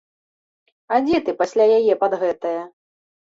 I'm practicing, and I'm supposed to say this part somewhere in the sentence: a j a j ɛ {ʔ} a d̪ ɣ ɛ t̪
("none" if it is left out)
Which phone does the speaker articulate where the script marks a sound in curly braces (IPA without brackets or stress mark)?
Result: p